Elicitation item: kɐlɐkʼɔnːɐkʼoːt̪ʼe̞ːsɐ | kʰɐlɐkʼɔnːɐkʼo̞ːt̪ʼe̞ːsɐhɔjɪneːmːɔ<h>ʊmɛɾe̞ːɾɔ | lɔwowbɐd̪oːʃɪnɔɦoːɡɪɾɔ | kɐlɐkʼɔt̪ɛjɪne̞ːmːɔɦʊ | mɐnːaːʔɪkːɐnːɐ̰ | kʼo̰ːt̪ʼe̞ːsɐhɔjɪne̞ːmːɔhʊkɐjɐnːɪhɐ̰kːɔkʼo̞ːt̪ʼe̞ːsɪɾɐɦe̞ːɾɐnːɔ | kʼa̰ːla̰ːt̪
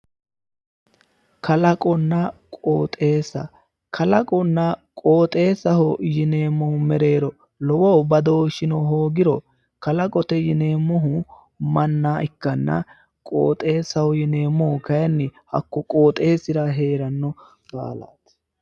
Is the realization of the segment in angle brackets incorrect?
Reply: no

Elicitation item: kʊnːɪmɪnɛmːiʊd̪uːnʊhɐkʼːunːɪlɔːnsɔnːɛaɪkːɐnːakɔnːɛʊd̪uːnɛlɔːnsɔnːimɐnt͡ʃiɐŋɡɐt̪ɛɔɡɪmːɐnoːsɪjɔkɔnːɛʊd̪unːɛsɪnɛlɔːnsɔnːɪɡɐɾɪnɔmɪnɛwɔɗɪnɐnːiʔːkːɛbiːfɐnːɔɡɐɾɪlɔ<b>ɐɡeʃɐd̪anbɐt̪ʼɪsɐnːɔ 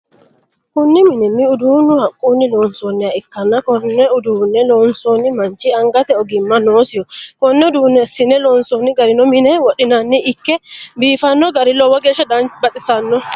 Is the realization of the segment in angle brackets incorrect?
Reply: yes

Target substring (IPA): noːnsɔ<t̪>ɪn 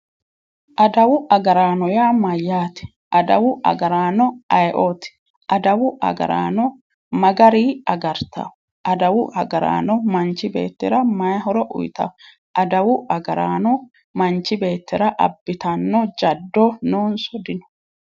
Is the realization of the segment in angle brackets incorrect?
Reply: yes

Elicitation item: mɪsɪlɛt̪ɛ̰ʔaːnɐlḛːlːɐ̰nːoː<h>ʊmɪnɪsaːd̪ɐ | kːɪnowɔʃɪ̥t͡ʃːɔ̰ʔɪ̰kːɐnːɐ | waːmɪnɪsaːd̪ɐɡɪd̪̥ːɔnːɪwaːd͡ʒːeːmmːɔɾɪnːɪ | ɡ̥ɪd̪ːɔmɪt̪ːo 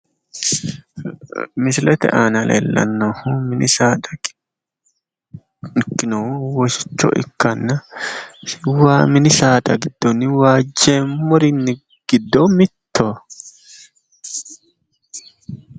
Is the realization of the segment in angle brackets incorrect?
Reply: no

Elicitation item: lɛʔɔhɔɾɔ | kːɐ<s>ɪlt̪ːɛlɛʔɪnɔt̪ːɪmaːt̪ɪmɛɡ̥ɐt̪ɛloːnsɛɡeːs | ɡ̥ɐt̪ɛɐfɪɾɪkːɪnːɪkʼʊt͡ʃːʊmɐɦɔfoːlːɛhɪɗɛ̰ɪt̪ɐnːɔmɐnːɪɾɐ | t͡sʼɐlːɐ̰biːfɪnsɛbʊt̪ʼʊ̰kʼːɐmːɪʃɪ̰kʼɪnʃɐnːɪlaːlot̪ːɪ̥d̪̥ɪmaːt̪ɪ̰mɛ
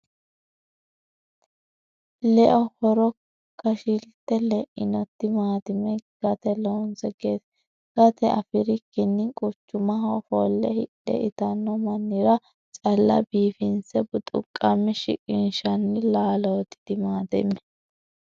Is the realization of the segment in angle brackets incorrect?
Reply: yes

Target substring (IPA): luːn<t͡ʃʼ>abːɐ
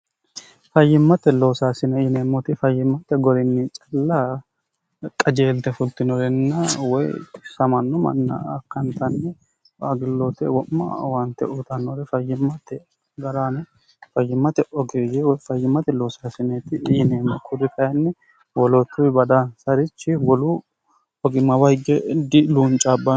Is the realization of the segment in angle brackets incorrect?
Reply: no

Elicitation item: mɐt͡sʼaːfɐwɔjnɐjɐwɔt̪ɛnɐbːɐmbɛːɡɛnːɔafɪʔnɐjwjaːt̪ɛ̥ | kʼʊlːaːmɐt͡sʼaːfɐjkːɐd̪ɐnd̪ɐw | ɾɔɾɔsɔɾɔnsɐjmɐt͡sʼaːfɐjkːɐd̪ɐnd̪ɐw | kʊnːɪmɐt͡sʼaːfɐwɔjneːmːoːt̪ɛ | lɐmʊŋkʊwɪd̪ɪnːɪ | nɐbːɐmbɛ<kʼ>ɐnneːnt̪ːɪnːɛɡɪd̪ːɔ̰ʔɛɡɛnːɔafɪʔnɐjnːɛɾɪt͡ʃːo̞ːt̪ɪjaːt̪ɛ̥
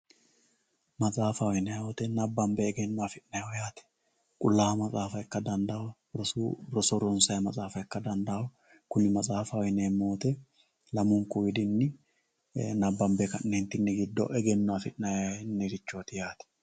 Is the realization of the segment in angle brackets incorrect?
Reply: yes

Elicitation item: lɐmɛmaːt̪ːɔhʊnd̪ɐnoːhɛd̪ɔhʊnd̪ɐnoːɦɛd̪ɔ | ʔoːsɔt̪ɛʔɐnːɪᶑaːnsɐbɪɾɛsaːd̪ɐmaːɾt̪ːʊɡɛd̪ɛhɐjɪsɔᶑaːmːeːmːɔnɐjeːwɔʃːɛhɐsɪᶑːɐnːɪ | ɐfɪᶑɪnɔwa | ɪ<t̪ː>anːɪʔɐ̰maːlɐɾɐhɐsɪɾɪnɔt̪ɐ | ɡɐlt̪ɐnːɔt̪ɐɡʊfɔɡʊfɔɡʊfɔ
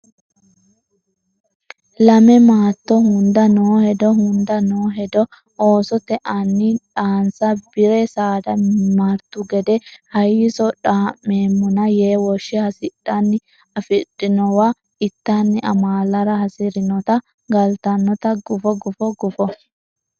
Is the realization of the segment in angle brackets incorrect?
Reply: no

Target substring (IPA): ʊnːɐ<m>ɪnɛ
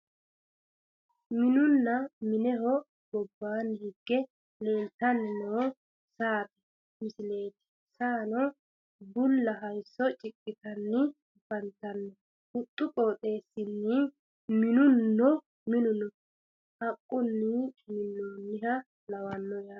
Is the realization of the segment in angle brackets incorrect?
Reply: no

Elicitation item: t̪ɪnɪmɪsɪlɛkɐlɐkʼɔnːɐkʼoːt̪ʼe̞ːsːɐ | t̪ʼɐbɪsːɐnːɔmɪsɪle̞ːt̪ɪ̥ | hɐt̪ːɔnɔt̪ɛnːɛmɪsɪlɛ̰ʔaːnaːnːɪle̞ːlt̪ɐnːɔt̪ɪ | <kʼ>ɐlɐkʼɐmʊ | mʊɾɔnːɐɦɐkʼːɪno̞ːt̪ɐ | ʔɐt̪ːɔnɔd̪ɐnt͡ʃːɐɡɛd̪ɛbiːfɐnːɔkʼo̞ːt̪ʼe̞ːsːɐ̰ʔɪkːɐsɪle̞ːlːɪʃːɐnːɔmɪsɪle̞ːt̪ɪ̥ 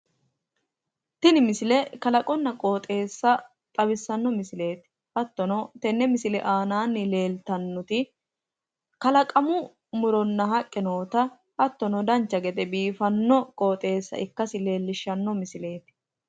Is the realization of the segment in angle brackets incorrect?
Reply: yes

